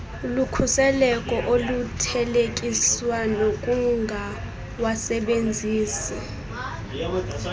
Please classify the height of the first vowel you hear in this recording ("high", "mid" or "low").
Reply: high